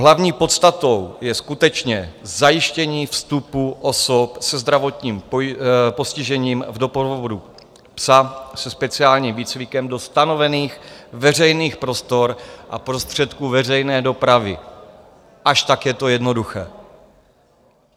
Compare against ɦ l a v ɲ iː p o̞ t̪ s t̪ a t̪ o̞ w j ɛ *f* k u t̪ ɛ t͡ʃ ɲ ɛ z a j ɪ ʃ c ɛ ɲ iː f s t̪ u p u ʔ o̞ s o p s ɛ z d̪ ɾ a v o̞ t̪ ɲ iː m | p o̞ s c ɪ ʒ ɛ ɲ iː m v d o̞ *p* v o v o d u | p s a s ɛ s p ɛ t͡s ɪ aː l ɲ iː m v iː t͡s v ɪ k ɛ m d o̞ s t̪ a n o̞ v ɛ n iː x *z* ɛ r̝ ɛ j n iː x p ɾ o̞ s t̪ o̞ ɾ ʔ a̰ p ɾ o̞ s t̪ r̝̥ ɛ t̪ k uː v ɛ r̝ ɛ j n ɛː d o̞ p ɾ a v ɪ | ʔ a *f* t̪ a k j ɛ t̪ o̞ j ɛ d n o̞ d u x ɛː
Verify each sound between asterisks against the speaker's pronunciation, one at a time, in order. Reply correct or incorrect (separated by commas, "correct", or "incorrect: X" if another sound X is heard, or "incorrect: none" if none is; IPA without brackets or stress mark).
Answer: incorrect: s, correct, incorrect: v, incorrect: ʃ